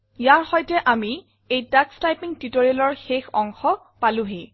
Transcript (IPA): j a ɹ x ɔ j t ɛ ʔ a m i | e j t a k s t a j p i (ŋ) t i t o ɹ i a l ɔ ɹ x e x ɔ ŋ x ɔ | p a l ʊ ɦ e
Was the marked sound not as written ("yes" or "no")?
no